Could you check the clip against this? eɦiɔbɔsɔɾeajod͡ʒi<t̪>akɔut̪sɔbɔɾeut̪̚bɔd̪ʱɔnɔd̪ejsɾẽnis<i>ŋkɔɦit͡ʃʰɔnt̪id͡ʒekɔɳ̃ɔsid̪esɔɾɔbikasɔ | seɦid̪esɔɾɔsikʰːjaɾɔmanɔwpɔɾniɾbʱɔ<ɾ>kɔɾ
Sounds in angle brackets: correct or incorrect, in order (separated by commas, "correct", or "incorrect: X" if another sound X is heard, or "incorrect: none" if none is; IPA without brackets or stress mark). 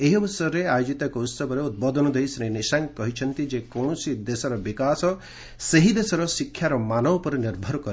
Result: correct, incorrect: a, correct